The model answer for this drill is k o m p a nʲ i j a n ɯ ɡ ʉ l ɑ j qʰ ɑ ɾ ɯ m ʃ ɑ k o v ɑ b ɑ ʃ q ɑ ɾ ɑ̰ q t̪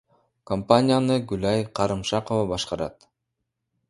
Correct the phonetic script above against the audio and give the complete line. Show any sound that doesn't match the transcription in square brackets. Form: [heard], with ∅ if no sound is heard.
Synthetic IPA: k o m p a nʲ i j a n ɯ ɡ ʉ l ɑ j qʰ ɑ ɾ ɯ m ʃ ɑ [q] o v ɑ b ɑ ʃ q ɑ ɾ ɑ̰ [∅] t̪